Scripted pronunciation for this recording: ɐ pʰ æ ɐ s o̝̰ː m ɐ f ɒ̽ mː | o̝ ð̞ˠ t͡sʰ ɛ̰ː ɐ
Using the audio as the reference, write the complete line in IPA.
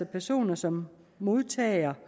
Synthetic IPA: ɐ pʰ æ ɐ s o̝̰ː n ɐ s ɒ̽ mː | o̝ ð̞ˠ t͡sʰ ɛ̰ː ɐ

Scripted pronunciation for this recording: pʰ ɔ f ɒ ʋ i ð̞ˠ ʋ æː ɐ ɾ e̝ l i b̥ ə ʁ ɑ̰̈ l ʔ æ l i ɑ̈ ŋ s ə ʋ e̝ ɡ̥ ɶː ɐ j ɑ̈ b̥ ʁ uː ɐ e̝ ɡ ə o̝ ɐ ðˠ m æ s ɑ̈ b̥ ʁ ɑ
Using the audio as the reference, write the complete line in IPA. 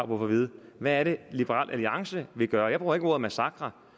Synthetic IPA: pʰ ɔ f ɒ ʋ i ð̞ˠ ʋ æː ɐ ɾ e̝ l i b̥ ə ʁ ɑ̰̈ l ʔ æ l i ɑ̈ ŋ s ə ʋ e̝ ɡ̥ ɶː ɐ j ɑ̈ b̥ ʁ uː ɐ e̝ ɡ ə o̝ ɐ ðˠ m æ s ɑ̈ ɡ̥ ʁ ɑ

